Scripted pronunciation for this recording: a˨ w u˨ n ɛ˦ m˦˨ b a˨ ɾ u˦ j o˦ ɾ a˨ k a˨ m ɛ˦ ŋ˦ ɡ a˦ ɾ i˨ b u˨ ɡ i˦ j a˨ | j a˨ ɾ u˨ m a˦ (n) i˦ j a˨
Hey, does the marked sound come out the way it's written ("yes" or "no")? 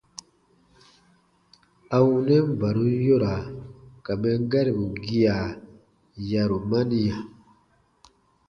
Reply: yes